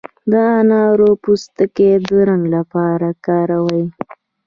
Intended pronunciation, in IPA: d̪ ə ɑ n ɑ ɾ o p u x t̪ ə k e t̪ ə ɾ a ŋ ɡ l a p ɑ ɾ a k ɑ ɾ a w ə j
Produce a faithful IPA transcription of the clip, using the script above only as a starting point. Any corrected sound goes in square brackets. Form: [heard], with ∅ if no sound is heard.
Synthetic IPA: d̪ ə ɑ n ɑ ɾ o p u [s] t̪ ə k e [d̪] ə ɾ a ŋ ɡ l a p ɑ ɾ a k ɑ ɾ a w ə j